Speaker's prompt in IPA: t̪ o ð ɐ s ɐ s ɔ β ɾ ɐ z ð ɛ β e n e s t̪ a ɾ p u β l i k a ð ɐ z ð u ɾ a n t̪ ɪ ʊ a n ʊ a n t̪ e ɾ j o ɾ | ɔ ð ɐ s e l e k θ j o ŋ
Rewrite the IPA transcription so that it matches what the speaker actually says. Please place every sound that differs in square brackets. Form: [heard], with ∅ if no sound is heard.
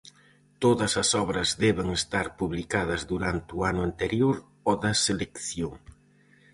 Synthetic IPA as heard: t̪ o ð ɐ s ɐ s ɔ β ɾ ɐ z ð ɛ β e [ŋ] e s t̪ a ɾ p u β l i k a ð ɐ z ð u ɾ a n t̪ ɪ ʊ a n ʊ a n t̪ e ɾ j o ɾ | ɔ ð ɐ s e l e k θ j o ŋ